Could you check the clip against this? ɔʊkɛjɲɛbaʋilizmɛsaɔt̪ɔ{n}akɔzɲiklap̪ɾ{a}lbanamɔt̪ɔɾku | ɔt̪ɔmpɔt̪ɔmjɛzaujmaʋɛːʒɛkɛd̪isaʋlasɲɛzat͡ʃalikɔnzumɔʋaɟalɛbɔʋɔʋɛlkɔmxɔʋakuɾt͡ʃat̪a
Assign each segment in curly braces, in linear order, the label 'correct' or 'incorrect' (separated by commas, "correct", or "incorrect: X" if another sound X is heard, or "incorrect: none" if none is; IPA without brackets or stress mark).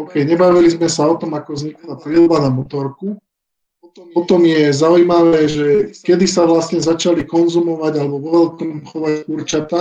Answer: incorrect: m, incorrect: i